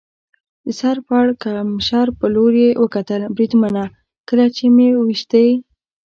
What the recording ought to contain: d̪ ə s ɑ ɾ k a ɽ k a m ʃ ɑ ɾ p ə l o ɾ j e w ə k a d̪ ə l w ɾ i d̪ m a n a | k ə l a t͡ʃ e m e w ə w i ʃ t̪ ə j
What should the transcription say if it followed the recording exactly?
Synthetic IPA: d̪ ə s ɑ ɾ p a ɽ k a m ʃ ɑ ɾ p ə l o ɾ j e w ə k a t̪ ə l b ɾ i d̪ m a n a | k ə l a t͡ʃ e m e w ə w i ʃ t̪ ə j